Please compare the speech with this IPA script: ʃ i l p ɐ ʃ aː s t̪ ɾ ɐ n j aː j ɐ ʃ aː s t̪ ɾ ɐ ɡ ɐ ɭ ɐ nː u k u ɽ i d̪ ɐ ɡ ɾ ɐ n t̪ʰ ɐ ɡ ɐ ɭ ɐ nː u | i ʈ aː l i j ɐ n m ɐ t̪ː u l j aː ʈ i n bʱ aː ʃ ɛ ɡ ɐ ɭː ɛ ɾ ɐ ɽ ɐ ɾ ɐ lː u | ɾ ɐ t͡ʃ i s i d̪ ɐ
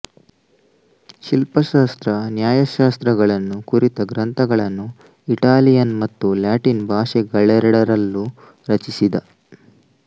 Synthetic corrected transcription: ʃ i l p ɐ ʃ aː s t̪ ɾ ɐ n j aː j ɐ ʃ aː s t̪ ɾ ɐ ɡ ɐ ɭ ɐ nː u k u ɾ i t̪ ɐ ɡ ɾ ɐ n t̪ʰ ɐ ɡ ɐ ɭ ɐ nː u | i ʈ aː l i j ɐ n m ɐ t̪ː u l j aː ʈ i n bʱ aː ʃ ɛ ɡ ɐ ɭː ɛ ɾ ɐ ɽ ɐ ɾ ɐ lː u | ɾ ɐ t͡ʃ i s i d̪ ɐ